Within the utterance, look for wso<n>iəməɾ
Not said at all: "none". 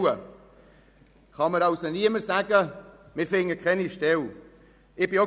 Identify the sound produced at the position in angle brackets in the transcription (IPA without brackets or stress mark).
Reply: n